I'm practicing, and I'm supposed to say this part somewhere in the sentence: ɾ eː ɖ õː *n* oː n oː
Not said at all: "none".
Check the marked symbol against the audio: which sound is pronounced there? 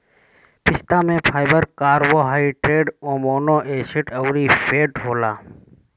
m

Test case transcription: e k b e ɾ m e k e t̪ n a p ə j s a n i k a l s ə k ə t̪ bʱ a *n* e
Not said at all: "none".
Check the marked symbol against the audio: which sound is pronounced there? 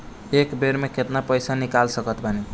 n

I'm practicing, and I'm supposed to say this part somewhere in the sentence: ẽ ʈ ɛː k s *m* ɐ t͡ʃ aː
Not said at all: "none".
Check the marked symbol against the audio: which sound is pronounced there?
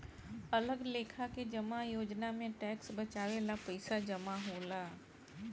b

